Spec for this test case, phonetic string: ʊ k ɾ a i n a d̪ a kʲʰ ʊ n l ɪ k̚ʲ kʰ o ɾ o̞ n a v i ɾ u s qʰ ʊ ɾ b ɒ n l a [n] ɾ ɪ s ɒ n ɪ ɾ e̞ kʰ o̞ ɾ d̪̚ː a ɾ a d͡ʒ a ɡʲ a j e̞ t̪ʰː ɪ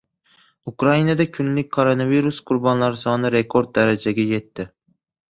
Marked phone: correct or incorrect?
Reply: incorrect